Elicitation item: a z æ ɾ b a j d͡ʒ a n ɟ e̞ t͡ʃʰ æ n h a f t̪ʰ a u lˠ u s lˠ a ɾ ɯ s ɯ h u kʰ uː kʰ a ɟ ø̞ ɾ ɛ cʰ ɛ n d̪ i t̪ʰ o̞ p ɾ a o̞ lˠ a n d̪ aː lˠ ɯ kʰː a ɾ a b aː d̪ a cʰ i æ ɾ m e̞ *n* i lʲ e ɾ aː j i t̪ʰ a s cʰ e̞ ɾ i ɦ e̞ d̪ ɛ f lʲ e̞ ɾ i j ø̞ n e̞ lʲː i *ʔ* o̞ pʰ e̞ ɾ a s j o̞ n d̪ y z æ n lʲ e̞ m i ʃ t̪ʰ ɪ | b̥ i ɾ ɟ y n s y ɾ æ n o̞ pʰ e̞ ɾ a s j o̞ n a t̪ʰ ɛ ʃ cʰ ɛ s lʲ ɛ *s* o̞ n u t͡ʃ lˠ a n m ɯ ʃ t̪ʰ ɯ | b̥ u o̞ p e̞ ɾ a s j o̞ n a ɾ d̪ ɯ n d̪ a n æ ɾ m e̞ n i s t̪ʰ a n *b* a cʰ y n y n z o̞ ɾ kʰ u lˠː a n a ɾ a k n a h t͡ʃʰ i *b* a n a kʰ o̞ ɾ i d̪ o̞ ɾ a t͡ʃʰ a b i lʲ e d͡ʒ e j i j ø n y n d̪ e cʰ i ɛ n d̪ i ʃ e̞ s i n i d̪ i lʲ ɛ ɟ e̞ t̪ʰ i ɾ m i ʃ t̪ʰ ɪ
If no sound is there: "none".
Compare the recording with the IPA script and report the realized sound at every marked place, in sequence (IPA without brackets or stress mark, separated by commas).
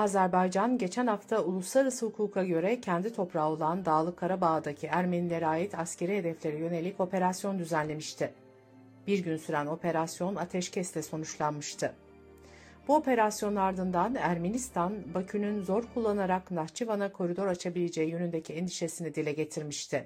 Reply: n, c, s, b, v